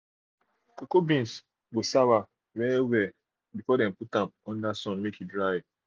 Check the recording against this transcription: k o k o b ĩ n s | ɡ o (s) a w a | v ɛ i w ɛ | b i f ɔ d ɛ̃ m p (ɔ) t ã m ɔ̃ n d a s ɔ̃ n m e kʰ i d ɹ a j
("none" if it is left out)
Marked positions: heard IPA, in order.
s, u

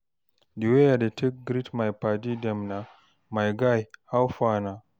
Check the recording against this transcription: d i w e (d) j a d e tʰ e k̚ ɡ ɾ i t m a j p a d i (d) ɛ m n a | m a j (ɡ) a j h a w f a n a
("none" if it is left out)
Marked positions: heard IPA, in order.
none, d, ɡ

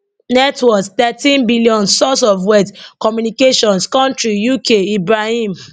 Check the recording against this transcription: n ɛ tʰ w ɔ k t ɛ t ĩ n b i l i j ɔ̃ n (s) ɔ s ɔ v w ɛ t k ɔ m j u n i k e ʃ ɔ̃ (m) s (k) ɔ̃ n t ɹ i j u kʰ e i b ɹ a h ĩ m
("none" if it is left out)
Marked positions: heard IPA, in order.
s, n, k

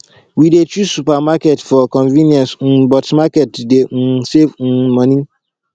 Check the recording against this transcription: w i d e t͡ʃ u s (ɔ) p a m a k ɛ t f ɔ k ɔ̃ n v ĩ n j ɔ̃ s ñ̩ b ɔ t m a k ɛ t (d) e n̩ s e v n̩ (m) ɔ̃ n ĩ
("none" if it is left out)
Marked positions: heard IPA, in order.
u, d, m

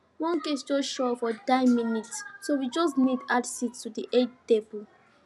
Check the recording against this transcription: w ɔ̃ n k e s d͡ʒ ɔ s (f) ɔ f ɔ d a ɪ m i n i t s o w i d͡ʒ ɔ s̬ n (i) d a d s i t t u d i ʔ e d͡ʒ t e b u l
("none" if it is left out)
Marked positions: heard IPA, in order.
ʃ, i

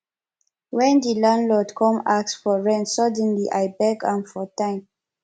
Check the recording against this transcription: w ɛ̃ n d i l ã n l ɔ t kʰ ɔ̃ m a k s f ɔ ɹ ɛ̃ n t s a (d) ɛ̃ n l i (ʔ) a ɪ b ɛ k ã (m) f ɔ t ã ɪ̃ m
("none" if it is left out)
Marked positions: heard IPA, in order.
d, ʔ, n

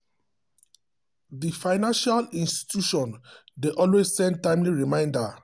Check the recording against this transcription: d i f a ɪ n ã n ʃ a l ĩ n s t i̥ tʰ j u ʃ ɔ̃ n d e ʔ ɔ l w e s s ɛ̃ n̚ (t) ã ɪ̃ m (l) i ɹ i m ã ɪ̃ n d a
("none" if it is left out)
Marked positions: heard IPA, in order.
t, l

